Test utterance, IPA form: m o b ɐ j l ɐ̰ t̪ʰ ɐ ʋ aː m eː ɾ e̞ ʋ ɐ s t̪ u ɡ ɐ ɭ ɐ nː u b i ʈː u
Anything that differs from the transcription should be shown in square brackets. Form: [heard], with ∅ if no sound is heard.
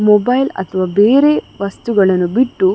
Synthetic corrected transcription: m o b ɐ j l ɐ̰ t̪ʰ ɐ ʋ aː [b] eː ɾ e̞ ʋ ɐ s t̪ u ɡ ɐ ɭ ɐ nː u b i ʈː u